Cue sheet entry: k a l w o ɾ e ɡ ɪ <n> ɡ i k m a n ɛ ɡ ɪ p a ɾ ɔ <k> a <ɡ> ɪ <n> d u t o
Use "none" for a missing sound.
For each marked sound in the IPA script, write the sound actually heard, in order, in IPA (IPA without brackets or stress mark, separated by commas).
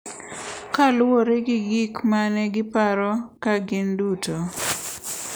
none, k, ɡ, n